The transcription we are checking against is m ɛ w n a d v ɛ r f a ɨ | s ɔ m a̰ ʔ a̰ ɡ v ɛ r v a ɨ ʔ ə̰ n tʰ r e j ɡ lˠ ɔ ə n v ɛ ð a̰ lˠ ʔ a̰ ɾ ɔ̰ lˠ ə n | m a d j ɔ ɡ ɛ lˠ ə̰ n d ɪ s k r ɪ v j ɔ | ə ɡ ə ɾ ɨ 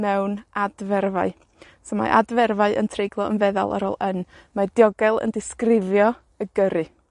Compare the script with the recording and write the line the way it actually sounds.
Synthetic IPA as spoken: m ɛ w n a d v ɛ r v a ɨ | s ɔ m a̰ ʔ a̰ d v ɛ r v a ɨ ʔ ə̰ n tʰ r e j ɡ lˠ ɔ ə n v ɛ ð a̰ lˠ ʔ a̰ ɾ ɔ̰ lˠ ə n | m a d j ɔ ɡ ɛ lˠ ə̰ n d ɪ s k r ɪ v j ɔ | ə ɡ ə ɾ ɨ